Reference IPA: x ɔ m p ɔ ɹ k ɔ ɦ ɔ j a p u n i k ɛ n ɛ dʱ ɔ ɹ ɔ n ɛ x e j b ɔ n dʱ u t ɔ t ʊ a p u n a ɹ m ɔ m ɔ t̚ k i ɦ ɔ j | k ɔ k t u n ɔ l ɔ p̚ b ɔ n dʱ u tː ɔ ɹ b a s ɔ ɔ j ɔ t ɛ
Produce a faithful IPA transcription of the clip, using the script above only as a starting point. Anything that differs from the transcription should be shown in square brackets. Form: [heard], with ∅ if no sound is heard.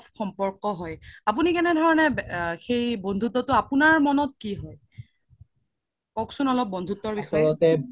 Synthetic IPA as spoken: x ɔ m p ɔ ɹ k ɔ ɦ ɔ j a p u n i k ɛ n ɛ dʱ ɔ ɹ ɔ n ɛ x e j b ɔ n dʱ u t ɔ t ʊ a p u n a ɹ m ɔ [n] ɔ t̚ k i ɦ ɔ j | k ɔ k [s] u n ɔ l ɔ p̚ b ɔ n dʱ u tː ɔ ɹ b [i] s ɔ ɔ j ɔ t ɛ